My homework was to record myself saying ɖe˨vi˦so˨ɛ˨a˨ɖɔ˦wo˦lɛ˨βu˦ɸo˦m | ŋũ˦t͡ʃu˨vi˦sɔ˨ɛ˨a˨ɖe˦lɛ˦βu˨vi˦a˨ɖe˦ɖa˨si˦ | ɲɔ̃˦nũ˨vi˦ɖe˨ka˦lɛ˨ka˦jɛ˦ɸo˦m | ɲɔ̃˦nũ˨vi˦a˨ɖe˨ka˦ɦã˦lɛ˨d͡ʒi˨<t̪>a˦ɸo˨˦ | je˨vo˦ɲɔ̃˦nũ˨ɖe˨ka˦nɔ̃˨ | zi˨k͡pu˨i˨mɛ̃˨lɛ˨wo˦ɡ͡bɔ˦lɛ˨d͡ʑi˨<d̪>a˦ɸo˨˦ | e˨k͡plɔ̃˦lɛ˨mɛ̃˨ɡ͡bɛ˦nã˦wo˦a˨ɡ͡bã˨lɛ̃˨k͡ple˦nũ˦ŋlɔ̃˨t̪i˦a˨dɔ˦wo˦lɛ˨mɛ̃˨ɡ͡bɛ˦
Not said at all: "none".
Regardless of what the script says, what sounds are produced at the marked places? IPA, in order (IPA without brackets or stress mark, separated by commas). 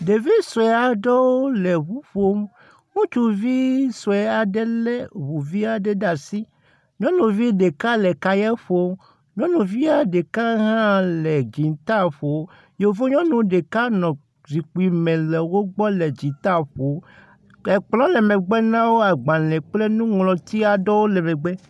t̪, t̪